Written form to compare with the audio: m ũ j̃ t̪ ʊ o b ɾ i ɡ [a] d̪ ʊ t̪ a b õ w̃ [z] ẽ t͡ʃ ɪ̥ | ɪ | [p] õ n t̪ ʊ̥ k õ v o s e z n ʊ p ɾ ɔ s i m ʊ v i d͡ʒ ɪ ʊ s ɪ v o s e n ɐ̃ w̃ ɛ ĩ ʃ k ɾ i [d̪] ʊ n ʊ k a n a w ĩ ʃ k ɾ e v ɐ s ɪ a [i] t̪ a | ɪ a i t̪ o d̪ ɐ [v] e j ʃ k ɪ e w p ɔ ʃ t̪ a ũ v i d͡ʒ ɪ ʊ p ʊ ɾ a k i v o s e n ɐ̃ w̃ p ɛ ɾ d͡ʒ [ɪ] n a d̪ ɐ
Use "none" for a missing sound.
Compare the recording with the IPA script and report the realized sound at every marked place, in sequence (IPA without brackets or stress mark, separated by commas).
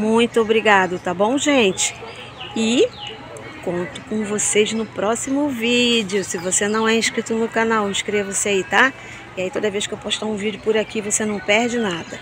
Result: a, ʒ, k, t̪, i, v, ɪ